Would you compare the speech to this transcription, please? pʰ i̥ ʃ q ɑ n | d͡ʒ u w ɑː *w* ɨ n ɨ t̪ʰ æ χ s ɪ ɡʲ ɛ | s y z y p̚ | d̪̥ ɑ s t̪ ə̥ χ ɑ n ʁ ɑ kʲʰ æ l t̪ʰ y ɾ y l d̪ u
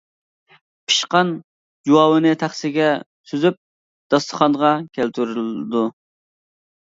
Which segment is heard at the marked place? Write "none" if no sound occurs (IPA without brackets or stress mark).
w